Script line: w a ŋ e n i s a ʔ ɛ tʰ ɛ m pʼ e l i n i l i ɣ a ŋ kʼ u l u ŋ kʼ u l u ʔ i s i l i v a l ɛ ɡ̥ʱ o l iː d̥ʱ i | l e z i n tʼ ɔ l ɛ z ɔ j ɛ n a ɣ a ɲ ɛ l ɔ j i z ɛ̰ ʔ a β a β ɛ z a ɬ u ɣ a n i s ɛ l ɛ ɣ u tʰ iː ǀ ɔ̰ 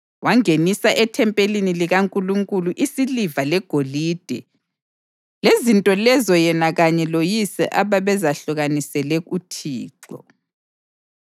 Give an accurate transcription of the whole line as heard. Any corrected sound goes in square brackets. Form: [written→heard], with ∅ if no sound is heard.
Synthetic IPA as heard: w a ŋ e n i s a ʔ ɛ tʰ ɛ m pʼ e l i n i l i ɣ a ŋ kʼ u l u ŋ kʼ u l u ʔ i s i l i v a l ɛ ɡ̥ʱ o l iː d̥ʱ [i→ɛ] | l e z i n tʼ ɔ l ɛ z ɔ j ɛ n a ɣ a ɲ ɛ l [ɔ→o] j i [z→s] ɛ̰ ʔ a β a β ɛ z a ɬ u ɣ a n i s ɛ l ɛ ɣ u tʰ iː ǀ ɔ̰